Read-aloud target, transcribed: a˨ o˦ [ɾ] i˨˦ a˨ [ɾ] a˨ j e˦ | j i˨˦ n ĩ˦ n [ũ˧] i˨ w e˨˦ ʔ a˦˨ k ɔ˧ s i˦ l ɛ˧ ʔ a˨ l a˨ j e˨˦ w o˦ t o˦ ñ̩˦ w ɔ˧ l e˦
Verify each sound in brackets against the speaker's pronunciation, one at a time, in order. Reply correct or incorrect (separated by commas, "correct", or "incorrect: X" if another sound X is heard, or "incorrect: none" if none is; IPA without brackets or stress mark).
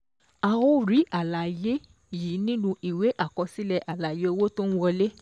correct, incorrect: l, correct